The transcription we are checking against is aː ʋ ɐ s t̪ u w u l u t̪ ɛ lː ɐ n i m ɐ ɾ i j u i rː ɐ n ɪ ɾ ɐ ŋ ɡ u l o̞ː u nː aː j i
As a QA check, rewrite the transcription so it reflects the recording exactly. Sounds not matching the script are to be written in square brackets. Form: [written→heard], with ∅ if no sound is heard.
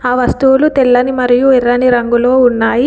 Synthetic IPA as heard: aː ʋ ɐ s t̪ u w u l u t̪ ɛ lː ɐ n i m ɐ ɾ i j u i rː ɐ n [ɪ→i] ɾ ɐ ŋ ɡ u l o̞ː u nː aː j i